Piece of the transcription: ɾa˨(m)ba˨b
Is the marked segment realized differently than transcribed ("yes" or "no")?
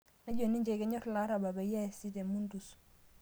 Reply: yes